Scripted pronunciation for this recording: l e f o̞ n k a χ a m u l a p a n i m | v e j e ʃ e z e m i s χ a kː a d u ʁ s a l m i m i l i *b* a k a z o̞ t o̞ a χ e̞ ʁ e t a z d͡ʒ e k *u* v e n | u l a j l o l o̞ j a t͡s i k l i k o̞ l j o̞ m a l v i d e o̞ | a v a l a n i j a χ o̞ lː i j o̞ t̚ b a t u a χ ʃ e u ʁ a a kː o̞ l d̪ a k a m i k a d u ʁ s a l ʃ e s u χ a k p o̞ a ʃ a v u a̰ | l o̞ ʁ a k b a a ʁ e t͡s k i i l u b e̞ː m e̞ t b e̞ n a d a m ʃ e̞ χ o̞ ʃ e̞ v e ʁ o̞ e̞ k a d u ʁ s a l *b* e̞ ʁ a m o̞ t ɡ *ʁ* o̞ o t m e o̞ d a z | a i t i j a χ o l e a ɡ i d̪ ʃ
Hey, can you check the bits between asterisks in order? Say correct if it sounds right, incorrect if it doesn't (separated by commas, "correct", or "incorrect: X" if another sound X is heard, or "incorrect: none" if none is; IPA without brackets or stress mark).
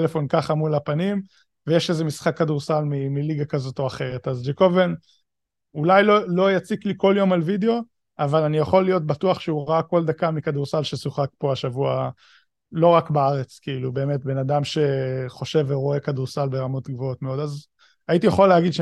incorrect: ɡ, incorrect: o, correct, incorrect: v